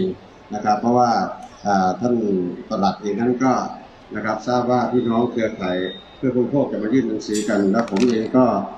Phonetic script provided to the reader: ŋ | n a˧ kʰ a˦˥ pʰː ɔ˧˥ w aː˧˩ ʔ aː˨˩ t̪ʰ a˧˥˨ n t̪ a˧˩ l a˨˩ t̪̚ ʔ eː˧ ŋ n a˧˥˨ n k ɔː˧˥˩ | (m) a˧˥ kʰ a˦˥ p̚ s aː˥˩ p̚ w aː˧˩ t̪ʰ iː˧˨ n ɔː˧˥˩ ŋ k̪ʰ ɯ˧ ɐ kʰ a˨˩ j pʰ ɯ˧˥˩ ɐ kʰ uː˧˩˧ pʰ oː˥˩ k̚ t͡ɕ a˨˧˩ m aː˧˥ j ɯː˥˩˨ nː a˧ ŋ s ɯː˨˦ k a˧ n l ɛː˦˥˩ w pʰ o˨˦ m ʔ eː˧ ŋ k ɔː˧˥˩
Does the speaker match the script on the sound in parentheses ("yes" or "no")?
no